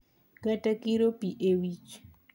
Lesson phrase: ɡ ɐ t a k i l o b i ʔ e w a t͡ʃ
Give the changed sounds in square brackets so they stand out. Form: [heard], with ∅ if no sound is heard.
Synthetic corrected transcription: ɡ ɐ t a k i [ɾ] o [p] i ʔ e w [i] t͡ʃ